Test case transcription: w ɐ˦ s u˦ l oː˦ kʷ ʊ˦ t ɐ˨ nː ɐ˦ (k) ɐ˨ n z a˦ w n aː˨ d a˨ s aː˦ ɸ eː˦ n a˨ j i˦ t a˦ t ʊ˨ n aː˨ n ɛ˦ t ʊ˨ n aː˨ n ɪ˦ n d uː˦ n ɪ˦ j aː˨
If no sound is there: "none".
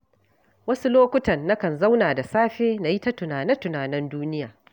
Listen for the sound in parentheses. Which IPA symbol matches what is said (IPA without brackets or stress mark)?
k